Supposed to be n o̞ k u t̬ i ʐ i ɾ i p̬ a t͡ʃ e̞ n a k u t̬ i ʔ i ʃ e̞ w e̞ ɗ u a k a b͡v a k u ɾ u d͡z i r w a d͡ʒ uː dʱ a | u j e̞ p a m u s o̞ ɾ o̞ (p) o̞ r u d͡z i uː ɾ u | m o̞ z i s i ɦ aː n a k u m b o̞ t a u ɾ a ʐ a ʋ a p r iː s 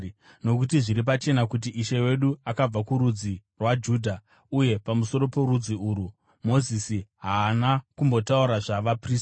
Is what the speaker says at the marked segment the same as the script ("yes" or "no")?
yes